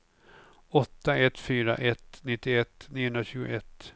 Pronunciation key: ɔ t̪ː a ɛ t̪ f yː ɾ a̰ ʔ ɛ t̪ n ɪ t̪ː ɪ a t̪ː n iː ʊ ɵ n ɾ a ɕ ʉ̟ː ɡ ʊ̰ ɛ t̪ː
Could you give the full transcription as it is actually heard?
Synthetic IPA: ɔ t̪ː a ɛ t̪ f yː ɾ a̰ ʔ ɛ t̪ n ɪ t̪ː ɪ ɛ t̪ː n iː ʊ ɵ n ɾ a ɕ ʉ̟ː ɡ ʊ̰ ɛ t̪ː